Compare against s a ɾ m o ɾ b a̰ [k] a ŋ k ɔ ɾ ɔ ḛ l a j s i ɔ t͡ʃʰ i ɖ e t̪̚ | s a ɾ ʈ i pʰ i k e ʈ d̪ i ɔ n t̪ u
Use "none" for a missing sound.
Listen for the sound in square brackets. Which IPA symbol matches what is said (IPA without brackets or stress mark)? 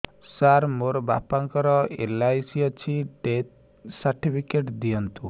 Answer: p